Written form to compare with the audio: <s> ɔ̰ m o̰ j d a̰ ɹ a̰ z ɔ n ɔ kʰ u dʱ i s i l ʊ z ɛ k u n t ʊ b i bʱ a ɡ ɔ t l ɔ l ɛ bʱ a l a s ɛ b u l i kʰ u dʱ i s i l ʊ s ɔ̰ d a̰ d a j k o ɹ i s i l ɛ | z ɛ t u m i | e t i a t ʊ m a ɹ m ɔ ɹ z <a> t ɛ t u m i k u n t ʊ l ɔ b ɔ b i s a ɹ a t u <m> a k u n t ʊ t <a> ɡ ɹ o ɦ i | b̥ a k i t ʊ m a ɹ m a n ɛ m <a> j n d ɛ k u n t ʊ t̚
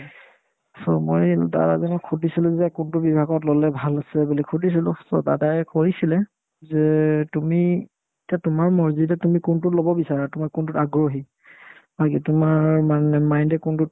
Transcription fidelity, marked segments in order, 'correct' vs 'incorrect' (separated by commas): correct, incorrect, correct, correct, correct